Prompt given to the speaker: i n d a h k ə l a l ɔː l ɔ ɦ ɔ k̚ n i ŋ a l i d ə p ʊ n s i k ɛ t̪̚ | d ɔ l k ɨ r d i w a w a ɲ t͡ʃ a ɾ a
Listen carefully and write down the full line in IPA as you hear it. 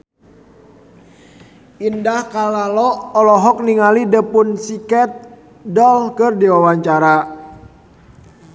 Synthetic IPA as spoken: i n d a h k a l a l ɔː l ɔ ɦ ɔ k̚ n i ŋ a l i d ə p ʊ n s i k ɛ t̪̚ | d ɔ l k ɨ r d i w a w a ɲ t͡ʃ a ɾ a